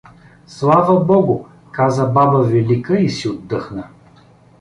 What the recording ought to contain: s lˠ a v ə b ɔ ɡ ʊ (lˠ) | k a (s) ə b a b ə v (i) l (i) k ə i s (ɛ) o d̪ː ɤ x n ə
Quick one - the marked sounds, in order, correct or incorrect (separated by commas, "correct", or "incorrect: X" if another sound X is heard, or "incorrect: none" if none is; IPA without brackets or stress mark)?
incorrect: none, incorrect: z, incorrect: ɛ, correct, incorrect: i